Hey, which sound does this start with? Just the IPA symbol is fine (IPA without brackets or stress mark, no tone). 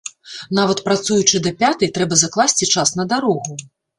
n